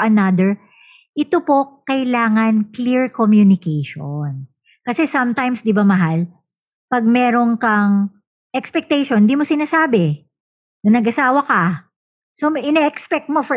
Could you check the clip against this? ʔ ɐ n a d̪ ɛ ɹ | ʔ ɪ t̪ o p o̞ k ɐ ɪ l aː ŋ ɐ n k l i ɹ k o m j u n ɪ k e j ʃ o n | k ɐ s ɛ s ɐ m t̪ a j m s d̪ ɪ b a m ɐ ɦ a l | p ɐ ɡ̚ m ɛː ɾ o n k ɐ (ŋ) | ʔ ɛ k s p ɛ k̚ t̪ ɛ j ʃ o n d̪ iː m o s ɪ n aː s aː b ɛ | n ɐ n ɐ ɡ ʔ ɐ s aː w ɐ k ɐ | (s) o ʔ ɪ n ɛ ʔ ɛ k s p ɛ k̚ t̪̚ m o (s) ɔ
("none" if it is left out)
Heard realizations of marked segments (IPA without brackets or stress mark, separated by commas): ŋ, s, f